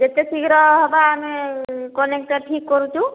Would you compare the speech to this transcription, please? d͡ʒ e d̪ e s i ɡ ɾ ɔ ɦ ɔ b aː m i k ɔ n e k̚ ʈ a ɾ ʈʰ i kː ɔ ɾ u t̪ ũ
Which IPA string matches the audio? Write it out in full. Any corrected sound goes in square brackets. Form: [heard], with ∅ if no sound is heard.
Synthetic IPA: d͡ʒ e [t̪] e s i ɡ ɾ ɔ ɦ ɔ b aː m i k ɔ n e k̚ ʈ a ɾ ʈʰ i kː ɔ ɾ u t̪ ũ